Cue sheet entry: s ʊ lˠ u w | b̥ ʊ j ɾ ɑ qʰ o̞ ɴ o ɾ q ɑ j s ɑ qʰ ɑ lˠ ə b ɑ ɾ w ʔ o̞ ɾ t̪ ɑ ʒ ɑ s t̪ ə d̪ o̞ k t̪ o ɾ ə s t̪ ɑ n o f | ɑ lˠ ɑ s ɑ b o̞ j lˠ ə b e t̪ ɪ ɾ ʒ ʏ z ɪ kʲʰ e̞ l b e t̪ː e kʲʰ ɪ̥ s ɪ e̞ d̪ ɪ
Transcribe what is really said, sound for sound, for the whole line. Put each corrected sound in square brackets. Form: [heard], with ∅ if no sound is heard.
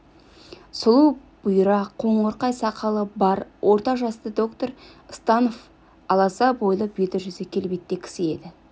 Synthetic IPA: s ʊ lˠ u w | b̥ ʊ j ɾ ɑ qʰ o̞ ɴ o ɾ q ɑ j s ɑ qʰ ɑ lˠ ə b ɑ ɾ w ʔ o̞ ɾ t̪ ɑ ʒ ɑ s t̪ ə d̪ o̞ k t̪ o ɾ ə s t̪ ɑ n o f | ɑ lˠ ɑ s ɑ b o̞ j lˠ ə b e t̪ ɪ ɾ ʒ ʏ z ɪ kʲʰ e̞ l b e t̪ː e kʲʰ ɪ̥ s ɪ e̞ d̪ ɪ